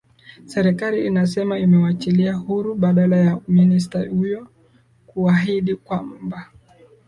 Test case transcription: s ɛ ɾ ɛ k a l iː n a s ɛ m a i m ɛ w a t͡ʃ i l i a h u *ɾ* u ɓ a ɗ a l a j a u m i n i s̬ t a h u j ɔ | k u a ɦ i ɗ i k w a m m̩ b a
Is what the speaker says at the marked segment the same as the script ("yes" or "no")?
yes